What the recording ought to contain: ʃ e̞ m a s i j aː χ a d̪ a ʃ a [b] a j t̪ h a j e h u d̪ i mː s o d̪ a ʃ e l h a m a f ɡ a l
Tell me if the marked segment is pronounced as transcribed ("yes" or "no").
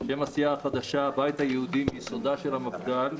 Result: yes